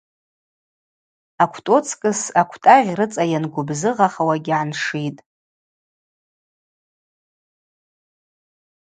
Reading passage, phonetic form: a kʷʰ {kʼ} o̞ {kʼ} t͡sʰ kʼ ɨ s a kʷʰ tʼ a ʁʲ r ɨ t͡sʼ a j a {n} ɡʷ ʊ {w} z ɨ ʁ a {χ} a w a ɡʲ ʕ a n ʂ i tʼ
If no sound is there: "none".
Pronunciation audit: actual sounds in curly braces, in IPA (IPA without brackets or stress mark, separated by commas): tʼ, none, n, b, χ